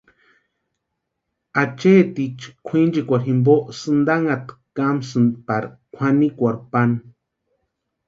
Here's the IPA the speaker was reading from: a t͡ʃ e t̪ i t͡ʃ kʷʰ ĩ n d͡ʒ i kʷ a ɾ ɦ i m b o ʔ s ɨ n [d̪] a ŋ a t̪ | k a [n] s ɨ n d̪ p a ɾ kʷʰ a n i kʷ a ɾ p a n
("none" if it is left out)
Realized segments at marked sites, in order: d̪, m

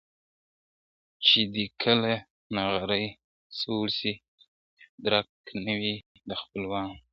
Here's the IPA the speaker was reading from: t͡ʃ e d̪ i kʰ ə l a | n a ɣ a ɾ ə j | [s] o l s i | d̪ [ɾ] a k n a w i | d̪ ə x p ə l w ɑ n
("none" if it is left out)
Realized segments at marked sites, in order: s, ɾ

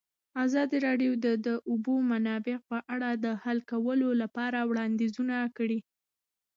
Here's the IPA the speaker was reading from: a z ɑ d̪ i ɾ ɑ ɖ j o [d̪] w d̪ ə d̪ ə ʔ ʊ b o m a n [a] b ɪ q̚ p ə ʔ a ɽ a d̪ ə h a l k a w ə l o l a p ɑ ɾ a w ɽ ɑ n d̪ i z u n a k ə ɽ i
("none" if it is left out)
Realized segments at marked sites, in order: none, ɑ

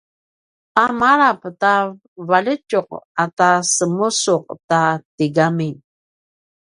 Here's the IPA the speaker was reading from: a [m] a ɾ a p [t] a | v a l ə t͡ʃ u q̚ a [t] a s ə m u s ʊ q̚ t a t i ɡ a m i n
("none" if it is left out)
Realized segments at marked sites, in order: m, t, t

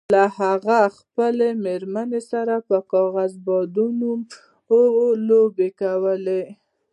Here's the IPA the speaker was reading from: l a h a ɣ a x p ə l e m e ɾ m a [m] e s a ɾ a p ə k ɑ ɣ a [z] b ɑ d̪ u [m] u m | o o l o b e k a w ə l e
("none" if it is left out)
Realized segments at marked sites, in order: n, z, n

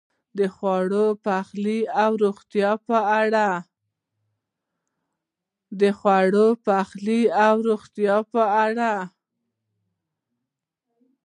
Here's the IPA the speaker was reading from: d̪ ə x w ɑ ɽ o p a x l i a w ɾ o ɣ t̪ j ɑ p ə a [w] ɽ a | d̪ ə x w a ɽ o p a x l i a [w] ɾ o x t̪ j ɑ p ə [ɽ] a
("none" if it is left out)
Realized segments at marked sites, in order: none, w, ɽ

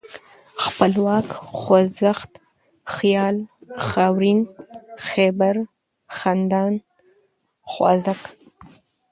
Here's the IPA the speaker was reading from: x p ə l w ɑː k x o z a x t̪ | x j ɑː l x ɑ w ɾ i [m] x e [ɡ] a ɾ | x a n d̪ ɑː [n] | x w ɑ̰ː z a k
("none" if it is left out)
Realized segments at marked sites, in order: n, b, n

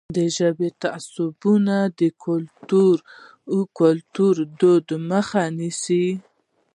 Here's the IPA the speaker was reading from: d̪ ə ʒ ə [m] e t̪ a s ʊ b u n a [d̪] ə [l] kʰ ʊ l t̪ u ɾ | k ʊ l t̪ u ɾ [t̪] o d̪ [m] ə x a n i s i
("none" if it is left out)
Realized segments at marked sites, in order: b, d̪, none, d̪, m

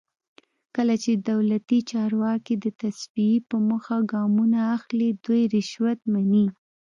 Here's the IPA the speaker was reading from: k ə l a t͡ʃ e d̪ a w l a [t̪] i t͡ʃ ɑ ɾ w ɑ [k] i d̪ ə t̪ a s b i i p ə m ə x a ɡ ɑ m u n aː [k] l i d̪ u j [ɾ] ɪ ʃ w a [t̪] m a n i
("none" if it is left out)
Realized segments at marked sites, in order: t̪, k, x, ɾ, t̪

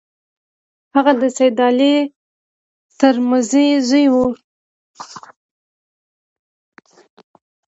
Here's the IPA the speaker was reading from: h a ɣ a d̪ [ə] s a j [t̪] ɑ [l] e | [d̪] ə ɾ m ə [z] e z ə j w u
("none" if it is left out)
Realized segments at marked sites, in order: ə, d̪, l, t̪, z

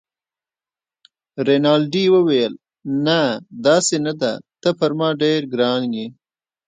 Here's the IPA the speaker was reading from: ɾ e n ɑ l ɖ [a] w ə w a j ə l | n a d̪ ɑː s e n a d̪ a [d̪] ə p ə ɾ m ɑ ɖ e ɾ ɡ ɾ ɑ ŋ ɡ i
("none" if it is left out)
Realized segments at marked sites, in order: i, t̪

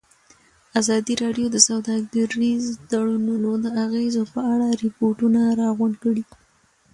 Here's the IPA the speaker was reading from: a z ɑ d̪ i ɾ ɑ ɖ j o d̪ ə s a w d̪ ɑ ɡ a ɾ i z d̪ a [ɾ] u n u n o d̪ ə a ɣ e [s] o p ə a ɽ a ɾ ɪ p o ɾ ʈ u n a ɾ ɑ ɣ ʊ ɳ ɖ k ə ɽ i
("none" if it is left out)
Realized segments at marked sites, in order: ɽ, z

